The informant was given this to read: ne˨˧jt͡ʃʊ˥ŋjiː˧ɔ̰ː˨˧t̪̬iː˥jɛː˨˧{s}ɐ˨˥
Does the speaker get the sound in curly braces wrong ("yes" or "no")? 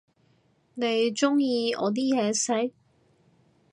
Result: no